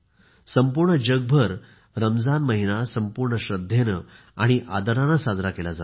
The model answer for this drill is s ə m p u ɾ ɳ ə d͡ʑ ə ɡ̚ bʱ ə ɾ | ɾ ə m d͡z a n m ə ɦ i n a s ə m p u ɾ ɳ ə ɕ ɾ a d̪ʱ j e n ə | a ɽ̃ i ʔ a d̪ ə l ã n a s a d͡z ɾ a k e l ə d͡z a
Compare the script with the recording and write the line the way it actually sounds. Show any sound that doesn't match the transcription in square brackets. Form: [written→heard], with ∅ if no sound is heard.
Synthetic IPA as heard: s ə m p u ɾ ɳ ə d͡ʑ ə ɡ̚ bʱ ə ɾ | ɾ ə m d͡z a n m ə ɦ i n a s ə m p u ɾ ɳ ə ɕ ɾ [a→ə] d̪ʱ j e n ə | a ɽ̃ i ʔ a d̪ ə [l→ɾ] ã n a s a d͡z ɾ a k e l [ə→a] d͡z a